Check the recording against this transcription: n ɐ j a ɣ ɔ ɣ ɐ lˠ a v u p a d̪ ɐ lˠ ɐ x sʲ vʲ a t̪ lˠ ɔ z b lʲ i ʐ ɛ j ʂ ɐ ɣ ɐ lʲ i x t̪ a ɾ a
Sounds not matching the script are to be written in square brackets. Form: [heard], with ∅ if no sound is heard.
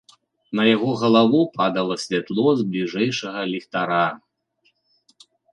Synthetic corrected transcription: n ɐ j a ɣ ɔ ɣ ɐ lˠ a v u p a d̪ ɐ lˠ ɐ [∅] sʲ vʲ a t̪ lˠ ɔ z b lʲ i ʐ ɛ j ʂ ɐ ɣ ɐ lʲ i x t̪ a ɾ a